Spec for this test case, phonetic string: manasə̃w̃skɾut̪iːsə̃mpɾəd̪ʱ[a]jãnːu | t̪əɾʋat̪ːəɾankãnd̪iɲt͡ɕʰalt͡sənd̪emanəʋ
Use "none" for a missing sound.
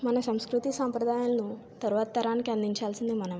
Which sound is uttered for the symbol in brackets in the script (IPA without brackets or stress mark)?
a